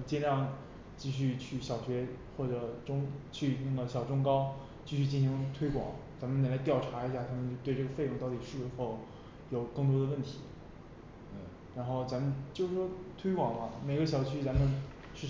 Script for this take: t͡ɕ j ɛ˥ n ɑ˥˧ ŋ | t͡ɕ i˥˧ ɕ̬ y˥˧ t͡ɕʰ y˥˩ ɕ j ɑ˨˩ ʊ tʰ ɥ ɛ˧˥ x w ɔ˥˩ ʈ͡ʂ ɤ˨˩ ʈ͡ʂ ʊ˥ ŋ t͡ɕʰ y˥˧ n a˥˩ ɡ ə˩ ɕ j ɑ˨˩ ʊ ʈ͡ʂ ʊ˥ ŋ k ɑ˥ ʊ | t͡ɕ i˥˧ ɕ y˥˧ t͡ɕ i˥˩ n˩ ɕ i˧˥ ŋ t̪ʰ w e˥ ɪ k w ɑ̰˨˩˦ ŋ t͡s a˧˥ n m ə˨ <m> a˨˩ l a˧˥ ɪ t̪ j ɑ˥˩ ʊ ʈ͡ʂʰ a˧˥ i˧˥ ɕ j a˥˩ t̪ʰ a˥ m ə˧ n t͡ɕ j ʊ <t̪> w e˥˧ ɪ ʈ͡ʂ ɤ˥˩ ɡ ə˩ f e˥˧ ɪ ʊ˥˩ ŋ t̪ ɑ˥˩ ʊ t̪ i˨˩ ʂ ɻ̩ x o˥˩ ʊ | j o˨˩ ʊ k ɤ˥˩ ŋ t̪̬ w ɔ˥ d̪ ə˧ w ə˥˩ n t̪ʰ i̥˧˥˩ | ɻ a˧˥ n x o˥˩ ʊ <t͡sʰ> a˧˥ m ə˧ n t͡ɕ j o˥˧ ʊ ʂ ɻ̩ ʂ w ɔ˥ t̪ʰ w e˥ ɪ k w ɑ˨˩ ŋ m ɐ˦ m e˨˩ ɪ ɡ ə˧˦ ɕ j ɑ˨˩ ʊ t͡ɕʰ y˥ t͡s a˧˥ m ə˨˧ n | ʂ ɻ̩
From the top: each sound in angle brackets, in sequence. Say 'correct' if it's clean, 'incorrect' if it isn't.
incorrect: n, correct, incorrect: t͡s

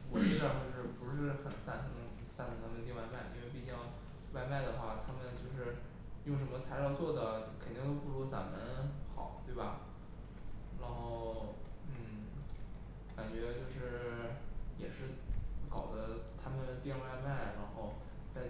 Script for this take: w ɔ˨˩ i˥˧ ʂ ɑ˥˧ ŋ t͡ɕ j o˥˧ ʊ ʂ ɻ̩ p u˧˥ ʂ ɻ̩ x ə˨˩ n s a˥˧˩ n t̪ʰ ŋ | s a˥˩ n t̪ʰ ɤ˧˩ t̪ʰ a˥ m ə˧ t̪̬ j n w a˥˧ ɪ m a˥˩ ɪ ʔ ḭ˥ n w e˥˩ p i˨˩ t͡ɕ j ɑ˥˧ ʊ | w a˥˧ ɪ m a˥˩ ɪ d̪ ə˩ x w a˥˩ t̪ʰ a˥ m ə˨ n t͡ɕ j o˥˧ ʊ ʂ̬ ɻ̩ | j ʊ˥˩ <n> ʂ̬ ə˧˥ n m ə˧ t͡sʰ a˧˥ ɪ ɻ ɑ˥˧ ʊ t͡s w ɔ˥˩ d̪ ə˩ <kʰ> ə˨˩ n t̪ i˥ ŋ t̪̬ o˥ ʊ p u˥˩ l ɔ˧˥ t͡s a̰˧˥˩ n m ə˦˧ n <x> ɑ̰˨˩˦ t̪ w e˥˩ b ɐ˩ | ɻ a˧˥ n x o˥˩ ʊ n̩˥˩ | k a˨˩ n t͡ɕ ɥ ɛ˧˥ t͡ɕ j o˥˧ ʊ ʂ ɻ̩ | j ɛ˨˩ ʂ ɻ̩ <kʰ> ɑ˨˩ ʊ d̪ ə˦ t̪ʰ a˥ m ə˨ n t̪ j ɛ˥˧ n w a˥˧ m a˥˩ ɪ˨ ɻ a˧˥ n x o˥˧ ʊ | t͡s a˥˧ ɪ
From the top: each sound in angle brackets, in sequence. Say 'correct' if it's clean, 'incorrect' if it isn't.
incorrect: ŋ, correct, correct, incorrect: k

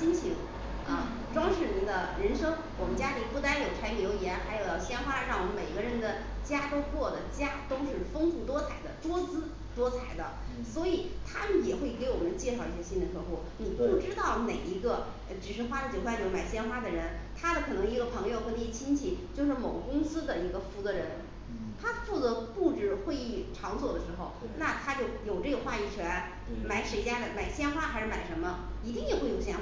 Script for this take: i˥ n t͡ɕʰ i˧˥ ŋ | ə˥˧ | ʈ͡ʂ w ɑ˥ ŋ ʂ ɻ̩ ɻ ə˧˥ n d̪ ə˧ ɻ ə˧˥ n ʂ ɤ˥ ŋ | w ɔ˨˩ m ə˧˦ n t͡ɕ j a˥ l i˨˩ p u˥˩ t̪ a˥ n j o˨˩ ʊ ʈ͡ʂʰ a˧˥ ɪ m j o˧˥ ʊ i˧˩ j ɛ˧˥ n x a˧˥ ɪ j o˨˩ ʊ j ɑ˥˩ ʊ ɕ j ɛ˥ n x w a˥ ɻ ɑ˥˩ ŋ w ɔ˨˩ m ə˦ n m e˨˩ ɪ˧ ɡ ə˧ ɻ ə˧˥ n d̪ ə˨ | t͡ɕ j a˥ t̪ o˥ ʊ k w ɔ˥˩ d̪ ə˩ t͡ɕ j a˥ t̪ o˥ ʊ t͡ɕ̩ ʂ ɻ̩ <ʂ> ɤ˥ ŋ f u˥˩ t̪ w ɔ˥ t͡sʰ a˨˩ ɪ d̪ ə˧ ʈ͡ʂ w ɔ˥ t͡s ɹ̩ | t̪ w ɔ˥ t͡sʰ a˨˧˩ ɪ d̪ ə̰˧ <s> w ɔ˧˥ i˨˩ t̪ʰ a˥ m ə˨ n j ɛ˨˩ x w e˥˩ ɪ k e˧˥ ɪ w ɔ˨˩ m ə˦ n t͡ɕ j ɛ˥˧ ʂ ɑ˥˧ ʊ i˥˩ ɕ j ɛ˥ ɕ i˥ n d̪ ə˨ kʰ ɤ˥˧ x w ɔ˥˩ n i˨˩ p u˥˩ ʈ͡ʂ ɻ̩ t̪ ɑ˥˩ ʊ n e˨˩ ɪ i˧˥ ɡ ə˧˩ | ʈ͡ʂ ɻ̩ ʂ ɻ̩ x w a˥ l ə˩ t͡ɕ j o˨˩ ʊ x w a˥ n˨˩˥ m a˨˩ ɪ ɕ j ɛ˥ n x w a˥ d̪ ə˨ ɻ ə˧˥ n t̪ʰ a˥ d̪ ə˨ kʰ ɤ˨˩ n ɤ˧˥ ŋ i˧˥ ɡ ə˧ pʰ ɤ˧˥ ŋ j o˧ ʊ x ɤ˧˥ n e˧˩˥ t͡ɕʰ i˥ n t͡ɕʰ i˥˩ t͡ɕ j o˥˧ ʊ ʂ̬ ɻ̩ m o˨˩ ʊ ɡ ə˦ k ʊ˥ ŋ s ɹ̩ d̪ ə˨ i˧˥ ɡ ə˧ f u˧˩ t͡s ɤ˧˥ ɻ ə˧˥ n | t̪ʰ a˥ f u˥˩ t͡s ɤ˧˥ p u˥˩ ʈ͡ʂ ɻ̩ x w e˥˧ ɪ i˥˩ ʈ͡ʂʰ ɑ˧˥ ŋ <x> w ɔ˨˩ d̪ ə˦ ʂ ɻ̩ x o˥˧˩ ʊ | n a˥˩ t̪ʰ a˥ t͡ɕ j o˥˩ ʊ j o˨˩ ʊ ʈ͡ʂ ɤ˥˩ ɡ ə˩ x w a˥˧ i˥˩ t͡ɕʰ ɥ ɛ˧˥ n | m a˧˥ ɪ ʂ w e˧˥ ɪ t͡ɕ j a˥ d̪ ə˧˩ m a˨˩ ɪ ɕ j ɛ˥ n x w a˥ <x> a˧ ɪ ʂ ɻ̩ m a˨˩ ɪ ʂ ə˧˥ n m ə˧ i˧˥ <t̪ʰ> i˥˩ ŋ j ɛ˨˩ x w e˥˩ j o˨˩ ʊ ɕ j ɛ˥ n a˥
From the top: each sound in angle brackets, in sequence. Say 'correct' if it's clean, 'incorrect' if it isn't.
incorrect: f, correct, incorrect: s, correct, incorrect: t̪

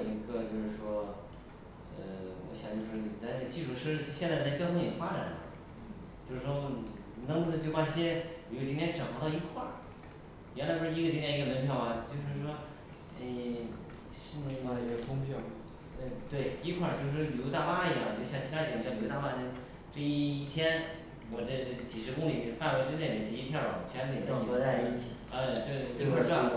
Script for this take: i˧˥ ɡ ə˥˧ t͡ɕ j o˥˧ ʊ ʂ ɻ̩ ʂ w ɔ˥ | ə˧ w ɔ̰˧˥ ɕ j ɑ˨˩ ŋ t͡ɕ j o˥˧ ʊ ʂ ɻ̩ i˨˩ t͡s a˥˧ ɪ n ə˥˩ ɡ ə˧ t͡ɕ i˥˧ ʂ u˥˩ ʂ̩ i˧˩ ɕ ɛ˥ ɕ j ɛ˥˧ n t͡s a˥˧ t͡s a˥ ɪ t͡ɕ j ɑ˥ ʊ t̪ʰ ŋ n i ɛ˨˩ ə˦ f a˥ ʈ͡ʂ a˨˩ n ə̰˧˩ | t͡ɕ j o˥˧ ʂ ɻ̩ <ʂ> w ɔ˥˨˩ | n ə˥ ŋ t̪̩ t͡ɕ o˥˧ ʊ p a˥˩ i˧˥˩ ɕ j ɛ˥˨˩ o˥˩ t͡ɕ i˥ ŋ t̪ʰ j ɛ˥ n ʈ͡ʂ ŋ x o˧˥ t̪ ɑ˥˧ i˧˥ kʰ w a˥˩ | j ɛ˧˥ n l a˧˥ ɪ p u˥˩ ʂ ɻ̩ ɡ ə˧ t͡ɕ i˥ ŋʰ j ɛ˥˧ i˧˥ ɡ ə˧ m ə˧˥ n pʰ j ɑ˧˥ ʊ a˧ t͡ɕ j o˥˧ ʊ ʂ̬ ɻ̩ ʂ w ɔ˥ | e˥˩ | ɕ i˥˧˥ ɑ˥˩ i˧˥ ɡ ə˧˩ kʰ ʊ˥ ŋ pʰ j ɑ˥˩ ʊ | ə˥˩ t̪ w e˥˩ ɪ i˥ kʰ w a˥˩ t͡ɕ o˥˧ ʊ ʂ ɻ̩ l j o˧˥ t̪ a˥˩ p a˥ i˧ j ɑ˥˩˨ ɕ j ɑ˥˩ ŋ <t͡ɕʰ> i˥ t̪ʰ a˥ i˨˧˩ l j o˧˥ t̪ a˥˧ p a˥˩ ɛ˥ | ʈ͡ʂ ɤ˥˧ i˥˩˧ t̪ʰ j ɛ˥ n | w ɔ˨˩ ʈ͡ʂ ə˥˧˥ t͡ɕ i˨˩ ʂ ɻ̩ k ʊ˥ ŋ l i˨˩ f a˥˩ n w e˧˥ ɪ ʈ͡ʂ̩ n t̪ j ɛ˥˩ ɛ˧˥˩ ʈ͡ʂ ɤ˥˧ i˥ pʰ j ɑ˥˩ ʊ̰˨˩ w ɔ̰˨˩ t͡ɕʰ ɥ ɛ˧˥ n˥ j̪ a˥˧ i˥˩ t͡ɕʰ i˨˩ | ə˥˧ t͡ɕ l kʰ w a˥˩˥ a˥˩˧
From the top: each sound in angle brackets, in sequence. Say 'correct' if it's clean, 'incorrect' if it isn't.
correct, correct

